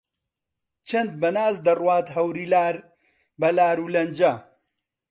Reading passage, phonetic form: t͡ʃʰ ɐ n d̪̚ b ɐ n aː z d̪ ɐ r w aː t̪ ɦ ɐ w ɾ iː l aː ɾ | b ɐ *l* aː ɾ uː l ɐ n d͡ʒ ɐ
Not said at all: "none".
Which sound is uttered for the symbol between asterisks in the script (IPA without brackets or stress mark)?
l